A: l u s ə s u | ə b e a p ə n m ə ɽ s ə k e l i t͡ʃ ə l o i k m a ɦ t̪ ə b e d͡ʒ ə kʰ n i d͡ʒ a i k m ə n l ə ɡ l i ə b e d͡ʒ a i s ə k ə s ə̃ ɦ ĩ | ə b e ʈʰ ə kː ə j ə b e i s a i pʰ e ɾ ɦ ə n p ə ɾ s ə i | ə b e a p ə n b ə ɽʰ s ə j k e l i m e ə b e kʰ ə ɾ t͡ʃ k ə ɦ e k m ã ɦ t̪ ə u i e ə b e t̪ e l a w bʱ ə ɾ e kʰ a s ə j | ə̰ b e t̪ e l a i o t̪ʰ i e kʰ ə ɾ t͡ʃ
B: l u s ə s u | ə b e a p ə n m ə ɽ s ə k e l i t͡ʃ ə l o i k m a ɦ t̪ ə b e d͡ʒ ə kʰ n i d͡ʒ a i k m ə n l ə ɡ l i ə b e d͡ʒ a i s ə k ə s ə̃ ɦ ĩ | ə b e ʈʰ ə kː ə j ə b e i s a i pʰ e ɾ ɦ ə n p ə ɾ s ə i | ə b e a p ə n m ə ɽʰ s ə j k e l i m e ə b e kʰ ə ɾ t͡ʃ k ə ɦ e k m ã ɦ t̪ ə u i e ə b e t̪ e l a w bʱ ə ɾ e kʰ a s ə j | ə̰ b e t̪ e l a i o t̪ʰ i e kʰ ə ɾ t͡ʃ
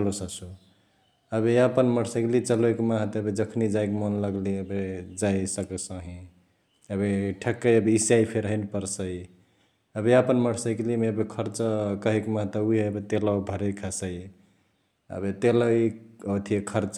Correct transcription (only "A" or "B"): B